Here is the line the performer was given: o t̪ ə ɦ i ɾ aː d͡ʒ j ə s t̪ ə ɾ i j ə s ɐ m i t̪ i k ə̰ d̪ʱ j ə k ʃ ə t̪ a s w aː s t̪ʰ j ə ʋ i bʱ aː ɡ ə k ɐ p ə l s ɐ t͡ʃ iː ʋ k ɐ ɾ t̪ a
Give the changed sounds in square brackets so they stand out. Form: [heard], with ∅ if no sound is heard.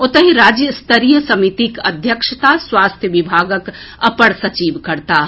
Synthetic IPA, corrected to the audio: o t̪ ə ɦ i ɾ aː d͡ʒ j ə s t̪ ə ɾ i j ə s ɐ m i t̪ i k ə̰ d̪ʱ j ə k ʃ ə t̪ a s w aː s t̪ʰ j ə ʋ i bʱ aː ɡ ə k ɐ p ə [ɽ] s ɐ t͡ʃ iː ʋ k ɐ ɾ t̪ a